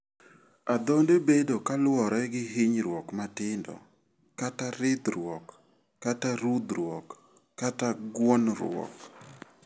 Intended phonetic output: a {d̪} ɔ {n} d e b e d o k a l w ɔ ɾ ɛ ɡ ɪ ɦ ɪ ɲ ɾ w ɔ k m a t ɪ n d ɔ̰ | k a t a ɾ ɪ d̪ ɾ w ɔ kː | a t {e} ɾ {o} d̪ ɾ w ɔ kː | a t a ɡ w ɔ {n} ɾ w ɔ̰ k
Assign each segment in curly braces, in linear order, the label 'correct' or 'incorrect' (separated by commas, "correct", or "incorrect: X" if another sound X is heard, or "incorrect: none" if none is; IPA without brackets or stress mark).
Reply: correct, correct, incorrect: a, incorrect: u, correct